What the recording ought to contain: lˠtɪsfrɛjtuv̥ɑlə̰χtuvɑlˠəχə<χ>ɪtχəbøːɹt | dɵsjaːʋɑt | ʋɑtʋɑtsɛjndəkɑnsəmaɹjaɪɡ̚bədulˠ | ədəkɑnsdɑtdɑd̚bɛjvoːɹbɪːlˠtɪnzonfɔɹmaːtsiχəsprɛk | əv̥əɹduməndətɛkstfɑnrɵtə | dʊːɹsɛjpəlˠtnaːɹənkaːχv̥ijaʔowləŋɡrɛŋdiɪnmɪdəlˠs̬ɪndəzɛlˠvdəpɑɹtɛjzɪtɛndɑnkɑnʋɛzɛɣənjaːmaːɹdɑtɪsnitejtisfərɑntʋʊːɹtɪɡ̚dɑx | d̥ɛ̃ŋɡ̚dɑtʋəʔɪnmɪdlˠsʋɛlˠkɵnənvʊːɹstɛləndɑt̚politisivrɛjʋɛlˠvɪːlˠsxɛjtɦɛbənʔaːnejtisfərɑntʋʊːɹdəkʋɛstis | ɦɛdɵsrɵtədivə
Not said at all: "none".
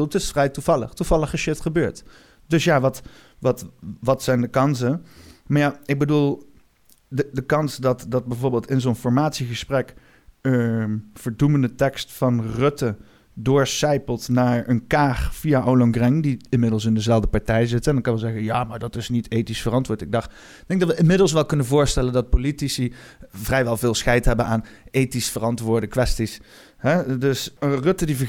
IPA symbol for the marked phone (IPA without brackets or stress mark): ʃ